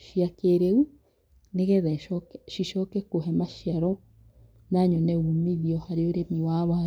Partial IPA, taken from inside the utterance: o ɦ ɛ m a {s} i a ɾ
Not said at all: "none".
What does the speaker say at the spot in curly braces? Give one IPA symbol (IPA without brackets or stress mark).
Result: ʃ